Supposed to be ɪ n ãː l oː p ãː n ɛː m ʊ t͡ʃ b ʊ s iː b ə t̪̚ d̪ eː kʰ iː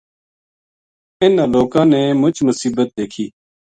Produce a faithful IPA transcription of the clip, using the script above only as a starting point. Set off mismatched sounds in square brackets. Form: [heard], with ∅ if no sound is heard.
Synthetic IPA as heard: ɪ n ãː l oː [k] ãː n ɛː m ʊ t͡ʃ [m] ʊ s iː b ə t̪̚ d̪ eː kʰ iː

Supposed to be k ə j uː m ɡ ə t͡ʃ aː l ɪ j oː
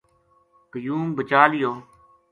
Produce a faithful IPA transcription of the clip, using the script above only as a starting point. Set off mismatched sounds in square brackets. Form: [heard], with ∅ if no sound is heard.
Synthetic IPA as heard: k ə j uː m [b] ə t͡ʃ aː l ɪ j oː

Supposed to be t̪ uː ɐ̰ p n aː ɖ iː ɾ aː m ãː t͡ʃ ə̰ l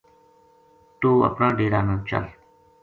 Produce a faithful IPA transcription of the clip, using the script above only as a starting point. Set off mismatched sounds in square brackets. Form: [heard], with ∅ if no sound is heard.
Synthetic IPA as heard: t̪ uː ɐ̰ p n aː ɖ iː ɾ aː [n] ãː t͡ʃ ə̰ l

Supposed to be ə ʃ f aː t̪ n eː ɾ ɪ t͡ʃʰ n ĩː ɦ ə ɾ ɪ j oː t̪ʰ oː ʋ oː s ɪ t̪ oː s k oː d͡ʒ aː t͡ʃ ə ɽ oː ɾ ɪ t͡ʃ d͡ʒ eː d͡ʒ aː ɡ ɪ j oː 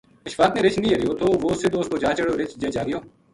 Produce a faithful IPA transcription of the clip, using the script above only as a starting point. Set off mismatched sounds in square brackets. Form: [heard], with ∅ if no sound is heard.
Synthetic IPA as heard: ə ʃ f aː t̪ n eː ɾ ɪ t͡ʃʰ n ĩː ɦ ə ɾ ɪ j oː t̪ʰ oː ʋ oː s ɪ [d̪] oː s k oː d͡ʒ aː t͡ʃ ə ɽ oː ɾ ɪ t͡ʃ d͡ʒ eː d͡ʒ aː ɡ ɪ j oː

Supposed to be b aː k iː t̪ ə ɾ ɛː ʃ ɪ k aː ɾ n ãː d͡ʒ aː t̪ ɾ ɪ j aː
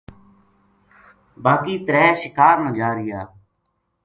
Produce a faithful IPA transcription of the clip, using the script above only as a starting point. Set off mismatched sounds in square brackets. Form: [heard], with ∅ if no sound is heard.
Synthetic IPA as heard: b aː k iː t̪ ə ɾ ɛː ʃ ɪ k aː ɾ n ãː d͡ʒ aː [∅] ɾ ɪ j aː

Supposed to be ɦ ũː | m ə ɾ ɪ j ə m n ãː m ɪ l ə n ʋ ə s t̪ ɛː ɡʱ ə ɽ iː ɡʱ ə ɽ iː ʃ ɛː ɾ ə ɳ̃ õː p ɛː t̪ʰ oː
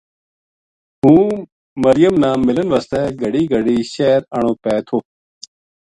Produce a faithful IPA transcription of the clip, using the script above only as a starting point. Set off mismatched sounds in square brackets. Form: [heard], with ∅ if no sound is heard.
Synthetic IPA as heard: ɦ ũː | m ə ɾ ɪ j ə m n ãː m ɪ l ə n ʋ ə s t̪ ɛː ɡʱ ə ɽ iː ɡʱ ə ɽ iː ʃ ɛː ɾ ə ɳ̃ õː p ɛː t̪ʰ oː

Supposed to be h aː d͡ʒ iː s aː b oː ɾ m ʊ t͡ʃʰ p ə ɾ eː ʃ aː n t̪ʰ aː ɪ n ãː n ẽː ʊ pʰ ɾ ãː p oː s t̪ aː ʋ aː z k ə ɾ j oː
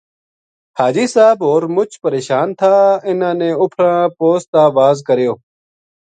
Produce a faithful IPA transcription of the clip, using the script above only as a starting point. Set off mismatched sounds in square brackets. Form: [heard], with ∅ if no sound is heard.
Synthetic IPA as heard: h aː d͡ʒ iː s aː b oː ɾ m ʊ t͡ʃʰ p ə ɾ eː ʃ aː n t̪ʰ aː ɪ n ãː n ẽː ʊ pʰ ɾ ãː p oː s t̪ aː ʋ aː z k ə ɾ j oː

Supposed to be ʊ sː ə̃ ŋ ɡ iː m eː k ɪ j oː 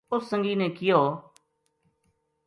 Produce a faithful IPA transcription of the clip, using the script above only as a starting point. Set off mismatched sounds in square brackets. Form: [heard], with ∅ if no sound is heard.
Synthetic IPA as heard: ʊ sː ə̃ ŋ ɡ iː [n] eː k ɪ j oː

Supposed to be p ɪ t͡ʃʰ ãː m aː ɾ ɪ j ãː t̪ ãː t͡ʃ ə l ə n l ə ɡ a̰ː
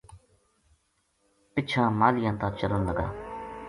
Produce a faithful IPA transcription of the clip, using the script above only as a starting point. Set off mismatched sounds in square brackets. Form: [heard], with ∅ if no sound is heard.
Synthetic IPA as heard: p ɪ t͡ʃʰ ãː m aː [l] ɪ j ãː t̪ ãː t͡ʃ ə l ə n l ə ɡ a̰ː

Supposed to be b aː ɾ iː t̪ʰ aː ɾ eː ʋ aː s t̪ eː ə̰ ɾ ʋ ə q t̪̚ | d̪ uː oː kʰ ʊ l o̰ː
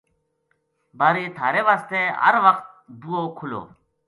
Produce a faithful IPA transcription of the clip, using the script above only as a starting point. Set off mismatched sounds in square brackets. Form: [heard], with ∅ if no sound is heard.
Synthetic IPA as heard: b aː ɾ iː t̪ʰ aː ɾ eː ʋ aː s t̪ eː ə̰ ɾ ʋ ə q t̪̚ | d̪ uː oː kʰ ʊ l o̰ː

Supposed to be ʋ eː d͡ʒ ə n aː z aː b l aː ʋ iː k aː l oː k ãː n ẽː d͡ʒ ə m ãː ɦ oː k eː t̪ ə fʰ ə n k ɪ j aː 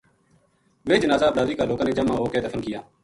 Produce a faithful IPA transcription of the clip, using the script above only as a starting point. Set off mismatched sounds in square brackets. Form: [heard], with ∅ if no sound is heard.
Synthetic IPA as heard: ʋ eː d͡ʒ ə n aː z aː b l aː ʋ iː k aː l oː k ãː n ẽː d͡ʒ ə m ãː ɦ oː k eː [d̪] ə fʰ ə n k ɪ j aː

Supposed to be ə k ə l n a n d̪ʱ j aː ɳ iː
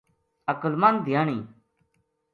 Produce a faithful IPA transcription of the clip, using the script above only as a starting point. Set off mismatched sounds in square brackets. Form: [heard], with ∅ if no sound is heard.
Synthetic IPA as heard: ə k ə l [m] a n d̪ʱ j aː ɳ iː

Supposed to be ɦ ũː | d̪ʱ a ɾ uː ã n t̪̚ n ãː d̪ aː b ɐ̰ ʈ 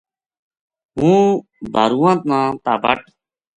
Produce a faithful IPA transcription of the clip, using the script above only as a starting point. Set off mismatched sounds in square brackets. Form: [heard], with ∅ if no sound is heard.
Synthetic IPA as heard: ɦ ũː | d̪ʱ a ɾ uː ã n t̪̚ n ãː [t̪] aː b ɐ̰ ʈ

